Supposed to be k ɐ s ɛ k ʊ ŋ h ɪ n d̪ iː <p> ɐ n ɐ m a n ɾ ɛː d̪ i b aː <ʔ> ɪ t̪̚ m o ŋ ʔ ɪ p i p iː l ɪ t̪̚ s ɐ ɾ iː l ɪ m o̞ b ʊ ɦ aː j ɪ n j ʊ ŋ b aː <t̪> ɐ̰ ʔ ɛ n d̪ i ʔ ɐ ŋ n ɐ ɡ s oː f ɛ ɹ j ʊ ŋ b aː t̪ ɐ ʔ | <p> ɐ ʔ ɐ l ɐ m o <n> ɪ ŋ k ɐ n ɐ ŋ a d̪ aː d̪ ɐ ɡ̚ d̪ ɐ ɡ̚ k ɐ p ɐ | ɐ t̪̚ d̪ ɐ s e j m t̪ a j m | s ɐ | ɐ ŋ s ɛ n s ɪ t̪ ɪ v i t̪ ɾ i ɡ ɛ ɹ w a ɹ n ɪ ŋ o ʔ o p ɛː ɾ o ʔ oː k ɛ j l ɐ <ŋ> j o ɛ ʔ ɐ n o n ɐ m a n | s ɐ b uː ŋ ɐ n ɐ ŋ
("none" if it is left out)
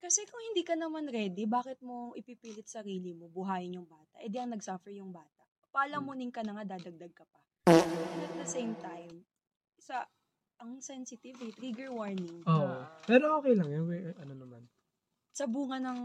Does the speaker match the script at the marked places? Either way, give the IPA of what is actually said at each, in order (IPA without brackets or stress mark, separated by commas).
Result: k, k, t̪, p, n, ŋ